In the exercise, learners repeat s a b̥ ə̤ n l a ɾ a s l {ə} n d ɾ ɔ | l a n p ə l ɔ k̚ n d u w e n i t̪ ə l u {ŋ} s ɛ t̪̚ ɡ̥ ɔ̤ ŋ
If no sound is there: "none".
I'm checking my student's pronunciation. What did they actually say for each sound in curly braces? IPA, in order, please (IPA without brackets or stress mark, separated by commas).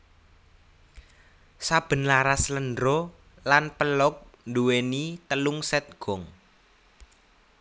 ə, ŋ